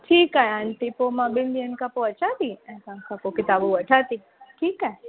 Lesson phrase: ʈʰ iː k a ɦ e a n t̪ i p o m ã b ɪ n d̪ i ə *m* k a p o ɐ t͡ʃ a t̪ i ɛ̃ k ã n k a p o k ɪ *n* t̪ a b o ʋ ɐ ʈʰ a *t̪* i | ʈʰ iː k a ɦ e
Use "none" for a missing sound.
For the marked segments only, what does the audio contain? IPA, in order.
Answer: n, none, t̪

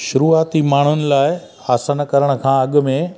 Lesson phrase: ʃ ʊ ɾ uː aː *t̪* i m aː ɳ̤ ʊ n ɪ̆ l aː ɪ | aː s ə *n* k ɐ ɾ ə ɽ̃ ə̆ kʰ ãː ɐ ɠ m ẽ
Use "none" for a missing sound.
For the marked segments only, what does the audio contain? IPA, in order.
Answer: t̪, n

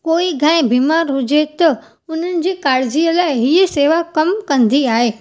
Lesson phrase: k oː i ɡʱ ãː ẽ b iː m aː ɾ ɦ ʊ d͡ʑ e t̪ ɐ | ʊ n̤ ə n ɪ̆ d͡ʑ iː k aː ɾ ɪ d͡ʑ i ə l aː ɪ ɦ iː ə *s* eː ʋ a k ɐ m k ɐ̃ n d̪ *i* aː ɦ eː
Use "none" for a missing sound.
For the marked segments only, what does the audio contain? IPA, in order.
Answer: s, i

